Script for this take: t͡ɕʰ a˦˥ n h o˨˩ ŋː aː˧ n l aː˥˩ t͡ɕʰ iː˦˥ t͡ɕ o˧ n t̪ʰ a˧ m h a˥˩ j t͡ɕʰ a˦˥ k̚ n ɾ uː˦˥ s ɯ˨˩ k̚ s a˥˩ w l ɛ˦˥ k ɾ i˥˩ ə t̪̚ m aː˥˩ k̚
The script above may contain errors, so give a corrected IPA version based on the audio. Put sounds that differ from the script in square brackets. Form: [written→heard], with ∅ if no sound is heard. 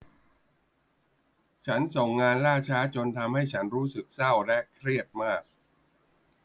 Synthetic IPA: t͡ɕʰ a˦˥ n [h→s] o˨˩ ŋː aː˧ n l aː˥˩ t͡ɕʰ [iː˦˥→aː˦˥] t͡ɕ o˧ n t̪ʰ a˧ m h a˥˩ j t͡ɕʰ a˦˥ [k̚→∅] n ɾ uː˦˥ s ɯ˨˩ k̚ s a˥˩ w l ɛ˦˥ [k→kʰ] ɾ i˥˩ ə t̪̚ m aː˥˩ k̚